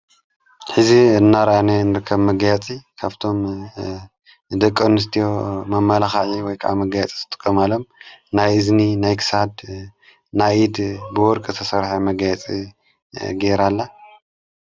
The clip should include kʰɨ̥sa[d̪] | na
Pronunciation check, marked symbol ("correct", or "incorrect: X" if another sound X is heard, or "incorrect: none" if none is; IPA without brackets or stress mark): correct